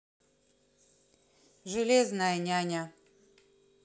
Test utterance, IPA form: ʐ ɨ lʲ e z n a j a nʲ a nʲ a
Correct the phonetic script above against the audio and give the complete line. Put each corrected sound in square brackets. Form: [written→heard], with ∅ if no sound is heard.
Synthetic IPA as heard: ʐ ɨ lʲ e z n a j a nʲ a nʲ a

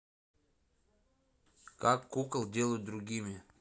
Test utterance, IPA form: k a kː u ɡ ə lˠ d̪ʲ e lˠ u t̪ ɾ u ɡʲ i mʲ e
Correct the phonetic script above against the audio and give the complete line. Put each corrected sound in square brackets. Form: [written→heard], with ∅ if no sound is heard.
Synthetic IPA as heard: k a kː u [ɡ→k] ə lˠ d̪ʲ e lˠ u [t̪→d̪] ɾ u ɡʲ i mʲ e

